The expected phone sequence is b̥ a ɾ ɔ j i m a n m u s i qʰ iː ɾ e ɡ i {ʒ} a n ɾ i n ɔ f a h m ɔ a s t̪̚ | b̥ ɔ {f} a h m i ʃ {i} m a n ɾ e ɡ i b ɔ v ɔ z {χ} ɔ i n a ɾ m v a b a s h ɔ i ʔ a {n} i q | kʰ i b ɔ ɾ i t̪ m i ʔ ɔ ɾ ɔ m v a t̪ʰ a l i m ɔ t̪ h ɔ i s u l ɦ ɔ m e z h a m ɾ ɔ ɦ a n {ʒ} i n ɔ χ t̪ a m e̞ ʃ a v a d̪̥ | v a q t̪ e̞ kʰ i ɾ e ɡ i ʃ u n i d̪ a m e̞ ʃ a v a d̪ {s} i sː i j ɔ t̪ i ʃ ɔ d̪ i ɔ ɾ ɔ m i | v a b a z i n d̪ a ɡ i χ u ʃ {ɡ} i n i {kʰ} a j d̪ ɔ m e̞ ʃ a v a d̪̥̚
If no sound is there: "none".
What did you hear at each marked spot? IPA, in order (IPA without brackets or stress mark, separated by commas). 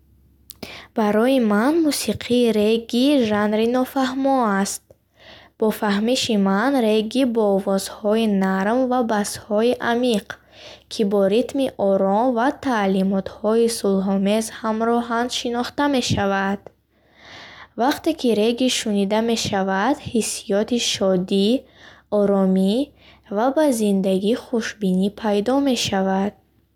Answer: ʒ, f, i, h, m, ʃ, h, b, pʰ